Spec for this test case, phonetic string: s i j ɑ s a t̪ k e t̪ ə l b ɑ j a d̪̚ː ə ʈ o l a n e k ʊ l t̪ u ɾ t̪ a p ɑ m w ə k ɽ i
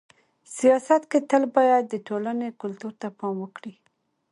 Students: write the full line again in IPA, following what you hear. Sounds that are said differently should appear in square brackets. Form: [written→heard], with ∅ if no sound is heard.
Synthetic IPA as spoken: s i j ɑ s a t̪ k e t̪ ə l b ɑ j a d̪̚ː ə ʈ o l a n e k ʊ l t̪ u ɾ t̪ a p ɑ m w ə k ɽ i